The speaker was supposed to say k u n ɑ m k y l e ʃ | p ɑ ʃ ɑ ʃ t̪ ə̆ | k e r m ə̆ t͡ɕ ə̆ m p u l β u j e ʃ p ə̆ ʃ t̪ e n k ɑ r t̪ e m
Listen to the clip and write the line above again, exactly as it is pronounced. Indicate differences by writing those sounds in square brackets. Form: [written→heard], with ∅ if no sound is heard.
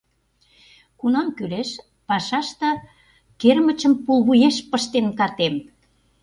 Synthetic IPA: k u n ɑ m k y l e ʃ | p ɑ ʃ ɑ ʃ t̪ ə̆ | k e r m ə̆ t͡ɕ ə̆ m p u l β u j e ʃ p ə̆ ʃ t̪ e n k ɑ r t̪ e m